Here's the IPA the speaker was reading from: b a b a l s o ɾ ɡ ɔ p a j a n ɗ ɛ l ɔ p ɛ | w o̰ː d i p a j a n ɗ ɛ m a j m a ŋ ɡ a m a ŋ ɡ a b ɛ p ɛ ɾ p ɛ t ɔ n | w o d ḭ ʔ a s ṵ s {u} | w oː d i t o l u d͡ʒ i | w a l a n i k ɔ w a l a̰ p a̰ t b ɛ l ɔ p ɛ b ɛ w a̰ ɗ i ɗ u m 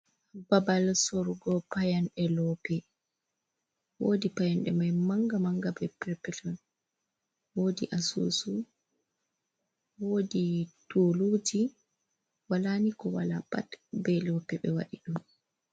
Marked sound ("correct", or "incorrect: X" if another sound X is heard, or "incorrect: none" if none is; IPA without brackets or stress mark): correct